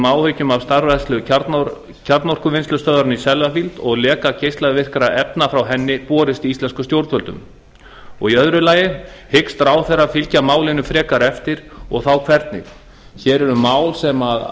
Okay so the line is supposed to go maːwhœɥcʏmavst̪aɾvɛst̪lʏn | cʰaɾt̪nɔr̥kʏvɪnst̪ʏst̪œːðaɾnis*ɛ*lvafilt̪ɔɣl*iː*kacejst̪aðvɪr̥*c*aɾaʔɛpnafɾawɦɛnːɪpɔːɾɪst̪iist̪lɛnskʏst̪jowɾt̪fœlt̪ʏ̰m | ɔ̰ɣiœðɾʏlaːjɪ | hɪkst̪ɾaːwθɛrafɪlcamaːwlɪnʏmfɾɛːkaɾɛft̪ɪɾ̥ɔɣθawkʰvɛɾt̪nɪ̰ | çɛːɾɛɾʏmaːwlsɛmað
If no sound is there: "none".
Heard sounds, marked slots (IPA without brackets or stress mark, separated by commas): ɛ, ɛː, k